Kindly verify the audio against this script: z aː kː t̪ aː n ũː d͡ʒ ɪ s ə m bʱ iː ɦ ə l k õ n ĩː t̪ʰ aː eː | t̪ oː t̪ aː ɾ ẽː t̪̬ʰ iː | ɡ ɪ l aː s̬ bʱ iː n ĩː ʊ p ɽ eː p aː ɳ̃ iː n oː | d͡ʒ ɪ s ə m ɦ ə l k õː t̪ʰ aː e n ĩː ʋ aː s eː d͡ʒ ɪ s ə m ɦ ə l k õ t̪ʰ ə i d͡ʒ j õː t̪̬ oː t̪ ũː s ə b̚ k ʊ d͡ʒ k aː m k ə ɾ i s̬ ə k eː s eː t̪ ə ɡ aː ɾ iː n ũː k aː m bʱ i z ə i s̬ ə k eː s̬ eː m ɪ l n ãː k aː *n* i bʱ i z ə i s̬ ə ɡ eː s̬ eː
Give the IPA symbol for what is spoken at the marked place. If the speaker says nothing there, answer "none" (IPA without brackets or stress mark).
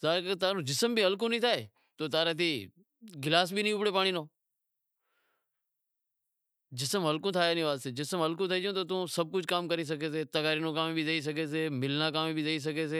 m